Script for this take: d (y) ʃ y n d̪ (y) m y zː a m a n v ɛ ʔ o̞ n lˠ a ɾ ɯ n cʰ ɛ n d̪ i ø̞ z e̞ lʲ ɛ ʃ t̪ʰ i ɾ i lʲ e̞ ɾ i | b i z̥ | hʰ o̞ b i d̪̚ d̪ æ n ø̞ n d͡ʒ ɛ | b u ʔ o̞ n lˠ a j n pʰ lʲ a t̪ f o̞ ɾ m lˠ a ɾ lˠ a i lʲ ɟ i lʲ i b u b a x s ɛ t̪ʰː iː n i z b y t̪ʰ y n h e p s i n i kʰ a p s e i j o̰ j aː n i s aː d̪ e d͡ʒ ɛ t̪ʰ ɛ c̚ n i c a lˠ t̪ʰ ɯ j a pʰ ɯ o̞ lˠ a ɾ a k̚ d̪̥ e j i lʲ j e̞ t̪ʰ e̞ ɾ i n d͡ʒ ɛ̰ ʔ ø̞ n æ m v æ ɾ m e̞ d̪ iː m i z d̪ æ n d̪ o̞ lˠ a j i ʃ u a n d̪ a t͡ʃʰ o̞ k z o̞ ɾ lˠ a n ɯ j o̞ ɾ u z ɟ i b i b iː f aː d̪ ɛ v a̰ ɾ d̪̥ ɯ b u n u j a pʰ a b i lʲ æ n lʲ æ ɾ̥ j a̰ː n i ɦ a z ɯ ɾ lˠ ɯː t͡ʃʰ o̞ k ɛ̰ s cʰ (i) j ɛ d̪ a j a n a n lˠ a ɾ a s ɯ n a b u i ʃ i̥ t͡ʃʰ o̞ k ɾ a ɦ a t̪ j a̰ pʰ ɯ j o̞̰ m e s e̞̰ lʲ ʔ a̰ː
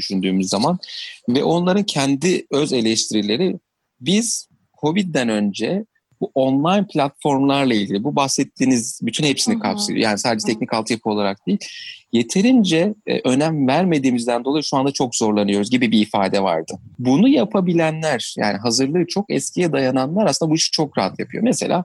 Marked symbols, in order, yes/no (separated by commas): yes, no, yes